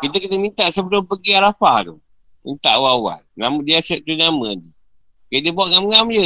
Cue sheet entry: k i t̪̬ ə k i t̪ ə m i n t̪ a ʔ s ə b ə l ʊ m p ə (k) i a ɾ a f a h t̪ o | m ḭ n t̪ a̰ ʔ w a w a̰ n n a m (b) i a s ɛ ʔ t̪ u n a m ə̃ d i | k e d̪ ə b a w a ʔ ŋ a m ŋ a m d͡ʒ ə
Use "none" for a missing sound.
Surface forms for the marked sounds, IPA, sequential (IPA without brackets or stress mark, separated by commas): ɡ, d